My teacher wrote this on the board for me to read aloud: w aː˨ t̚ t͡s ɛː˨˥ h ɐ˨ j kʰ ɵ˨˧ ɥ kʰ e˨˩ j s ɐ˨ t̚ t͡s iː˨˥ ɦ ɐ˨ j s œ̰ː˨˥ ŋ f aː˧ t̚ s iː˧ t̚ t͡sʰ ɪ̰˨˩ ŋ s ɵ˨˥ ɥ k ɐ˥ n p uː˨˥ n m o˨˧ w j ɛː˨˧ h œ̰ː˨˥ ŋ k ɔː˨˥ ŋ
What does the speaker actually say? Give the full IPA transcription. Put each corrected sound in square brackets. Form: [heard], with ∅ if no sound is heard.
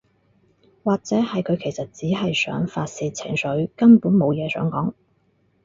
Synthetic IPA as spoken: w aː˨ [k̚] t͡s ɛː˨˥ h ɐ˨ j kʰ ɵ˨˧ ɥ kʰ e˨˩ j s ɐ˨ t̚ t͡s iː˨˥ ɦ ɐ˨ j s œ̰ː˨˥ ŋ f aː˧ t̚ s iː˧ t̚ t͡sʰ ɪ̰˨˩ ŋ s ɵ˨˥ ɥ k ɐ˥ n p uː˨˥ n m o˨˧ w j ɛː˨˧ [s] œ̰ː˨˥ ŋ k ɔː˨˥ ŋ